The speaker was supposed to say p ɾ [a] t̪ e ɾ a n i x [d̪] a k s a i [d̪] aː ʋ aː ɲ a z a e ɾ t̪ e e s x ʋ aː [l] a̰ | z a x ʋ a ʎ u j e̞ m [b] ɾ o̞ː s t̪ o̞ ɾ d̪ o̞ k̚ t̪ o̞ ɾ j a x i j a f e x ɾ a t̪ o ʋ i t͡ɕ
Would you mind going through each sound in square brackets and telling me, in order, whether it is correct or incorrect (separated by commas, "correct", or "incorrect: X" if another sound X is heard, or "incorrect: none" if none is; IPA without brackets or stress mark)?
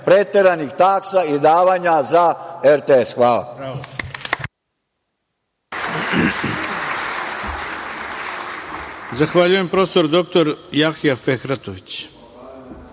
incorrect: e, incorrect: t̪, correct, correct, incorrect: p